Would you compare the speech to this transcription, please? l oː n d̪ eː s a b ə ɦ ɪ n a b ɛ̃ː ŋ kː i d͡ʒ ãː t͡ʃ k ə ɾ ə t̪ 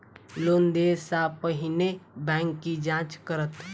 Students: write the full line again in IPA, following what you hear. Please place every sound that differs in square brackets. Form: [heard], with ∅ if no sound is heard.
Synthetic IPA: l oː n d̪ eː s a [p] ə ɦ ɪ n [e] b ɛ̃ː ŋ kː i d͡ʒ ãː t͡ʃ k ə ɾ ə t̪

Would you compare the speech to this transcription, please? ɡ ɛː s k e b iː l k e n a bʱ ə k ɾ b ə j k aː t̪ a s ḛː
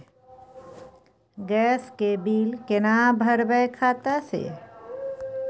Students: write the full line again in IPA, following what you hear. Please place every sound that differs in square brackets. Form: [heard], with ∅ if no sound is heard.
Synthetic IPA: ɡ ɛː s k e b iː l k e n a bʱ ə [∅] ɾ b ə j [kʰ] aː t̪ a s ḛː

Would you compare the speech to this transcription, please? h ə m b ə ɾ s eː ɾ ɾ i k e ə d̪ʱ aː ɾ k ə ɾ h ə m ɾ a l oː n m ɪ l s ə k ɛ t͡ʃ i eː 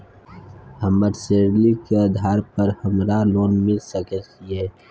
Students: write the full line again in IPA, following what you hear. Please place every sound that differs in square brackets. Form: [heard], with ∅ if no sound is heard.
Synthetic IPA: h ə m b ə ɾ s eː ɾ [l] i k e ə d̪ʱ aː ɾ [p] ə ɾ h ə m ɾ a l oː n m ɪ l s ə k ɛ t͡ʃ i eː

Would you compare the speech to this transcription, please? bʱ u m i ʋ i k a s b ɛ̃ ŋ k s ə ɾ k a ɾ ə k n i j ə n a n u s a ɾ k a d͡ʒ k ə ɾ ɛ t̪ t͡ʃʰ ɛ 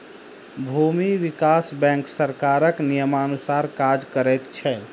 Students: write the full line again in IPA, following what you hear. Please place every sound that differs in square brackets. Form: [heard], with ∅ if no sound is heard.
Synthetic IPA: bʱ u m i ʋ i k a s b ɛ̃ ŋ k s ə ɾ k a ɾ ə k n i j ə [m] a n u s a ɾ k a d͡ʒ k ə ɾ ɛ t̪ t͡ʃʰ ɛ

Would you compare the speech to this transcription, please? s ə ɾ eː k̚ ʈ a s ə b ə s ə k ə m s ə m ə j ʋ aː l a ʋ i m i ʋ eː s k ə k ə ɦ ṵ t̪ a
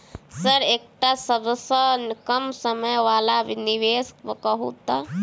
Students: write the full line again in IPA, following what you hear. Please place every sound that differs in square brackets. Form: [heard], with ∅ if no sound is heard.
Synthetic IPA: s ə ɾ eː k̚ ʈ a s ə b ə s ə k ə m s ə m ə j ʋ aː l a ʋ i [n] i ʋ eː s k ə k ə ɦ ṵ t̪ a

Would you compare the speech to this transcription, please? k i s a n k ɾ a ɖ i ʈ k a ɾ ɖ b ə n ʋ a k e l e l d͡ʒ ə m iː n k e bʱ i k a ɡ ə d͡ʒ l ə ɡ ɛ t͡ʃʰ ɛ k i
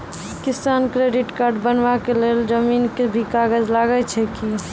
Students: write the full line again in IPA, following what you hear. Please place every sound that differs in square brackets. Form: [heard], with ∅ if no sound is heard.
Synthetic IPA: k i s a n k ɾ [e] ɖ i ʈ k a ɾ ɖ b ə n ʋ a k e l e l d͡ʒ ə m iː n k e bʱ i k a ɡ ə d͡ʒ l [a] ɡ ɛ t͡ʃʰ ɛ k i

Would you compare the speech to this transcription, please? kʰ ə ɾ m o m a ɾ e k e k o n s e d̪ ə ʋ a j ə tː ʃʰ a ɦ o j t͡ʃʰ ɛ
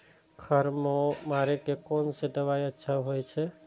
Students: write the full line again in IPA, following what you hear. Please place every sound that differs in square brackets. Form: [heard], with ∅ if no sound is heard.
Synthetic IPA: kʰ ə ɾ m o m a ɾ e k e k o n s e d̪ ə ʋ a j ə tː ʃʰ a ɦ o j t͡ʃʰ ɛ

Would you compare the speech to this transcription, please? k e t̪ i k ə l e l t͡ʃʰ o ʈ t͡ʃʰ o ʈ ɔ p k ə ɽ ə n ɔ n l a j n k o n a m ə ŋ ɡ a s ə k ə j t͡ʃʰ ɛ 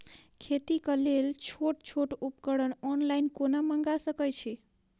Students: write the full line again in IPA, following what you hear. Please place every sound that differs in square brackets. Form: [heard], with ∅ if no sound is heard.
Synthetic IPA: [kʰ] e t̪ i k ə l e l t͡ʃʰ o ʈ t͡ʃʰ o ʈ [u] p k ə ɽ ə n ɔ n l a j n k o n a m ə ŋ ɡ a s ə k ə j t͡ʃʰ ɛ

